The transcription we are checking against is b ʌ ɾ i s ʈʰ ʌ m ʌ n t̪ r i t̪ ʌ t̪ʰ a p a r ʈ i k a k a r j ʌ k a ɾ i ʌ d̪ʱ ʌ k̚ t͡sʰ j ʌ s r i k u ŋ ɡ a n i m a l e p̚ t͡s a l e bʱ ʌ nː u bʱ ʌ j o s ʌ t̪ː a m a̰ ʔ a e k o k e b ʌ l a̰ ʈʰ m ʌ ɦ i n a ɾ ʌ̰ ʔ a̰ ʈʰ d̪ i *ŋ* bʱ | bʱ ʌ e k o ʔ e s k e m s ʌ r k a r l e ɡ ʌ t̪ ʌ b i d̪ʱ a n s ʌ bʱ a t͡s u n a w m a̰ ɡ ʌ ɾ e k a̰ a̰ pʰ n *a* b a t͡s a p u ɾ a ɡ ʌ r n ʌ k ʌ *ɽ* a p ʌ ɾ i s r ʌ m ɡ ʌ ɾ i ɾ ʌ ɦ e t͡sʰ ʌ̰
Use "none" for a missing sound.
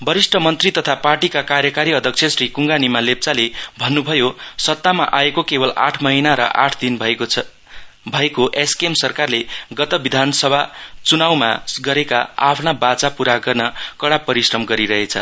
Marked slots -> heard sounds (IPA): n, a, ɽ

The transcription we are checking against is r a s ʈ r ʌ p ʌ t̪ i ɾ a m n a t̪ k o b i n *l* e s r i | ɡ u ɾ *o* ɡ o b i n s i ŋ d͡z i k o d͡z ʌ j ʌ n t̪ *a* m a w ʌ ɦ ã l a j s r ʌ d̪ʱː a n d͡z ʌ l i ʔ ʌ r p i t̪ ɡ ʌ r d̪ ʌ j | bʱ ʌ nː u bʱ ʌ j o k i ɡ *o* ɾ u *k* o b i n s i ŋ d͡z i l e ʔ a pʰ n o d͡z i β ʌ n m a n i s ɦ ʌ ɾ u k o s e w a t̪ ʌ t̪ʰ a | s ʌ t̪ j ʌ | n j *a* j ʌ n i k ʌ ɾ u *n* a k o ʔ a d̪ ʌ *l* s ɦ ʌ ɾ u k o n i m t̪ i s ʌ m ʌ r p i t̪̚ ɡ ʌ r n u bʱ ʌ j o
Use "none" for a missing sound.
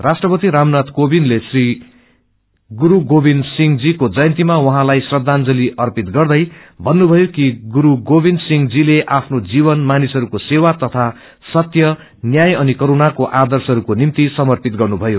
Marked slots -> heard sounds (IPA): l, u, i, u, ɡ, a, n, r

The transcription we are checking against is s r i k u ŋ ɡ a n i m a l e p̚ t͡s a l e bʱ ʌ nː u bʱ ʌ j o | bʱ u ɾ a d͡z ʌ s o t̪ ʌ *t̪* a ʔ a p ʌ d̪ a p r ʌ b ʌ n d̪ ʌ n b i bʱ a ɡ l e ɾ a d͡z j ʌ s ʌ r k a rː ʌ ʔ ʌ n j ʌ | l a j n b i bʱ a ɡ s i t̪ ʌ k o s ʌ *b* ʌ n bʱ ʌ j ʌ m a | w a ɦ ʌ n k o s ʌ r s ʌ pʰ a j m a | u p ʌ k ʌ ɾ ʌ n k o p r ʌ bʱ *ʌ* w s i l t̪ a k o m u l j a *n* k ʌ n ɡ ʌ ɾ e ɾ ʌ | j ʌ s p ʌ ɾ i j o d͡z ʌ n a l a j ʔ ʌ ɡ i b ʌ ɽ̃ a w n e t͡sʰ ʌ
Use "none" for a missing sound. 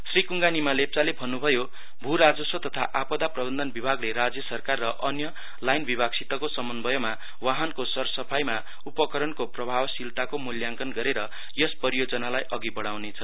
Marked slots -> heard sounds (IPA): t̪ʰ, m, a, ŋ

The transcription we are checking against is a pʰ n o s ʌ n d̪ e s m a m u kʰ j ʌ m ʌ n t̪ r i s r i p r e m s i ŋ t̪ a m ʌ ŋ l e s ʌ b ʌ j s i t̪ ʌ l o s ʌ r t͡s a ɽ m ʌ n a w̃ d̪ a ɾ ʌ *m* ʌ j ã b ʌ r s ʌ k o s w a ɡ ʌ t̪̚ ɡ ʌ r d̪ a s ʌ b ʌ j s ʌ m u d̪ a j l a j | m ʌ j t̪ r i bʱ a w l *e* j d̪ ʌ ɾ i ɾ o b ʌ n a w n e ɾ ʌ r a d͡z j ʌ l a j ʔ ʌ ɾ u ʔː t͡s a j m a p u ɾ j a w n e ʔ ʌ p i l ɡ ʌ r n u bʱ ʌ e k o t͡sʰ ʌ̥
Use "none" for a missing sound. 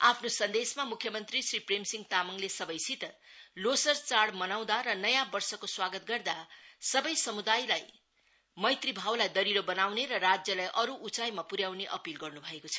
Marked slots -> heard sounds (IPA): n, a

